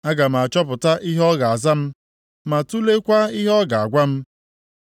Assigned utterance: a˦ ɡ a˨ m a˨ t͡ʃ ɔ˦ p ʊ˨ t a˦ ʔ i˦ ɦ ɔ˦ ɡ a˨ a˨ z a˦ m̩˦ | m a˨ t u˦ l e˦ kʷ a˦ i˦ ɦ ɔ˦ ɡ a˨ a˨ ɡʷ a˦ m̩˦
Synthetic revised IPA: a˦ ɡ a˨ m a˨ t͡ʃ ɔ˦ p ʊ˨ t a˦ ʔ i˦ ɦ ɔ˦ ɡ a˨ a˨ z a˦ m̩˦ | m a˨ t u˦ l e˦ kʷ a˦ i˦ ɦ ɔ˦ ɡ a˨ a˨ ɡʷ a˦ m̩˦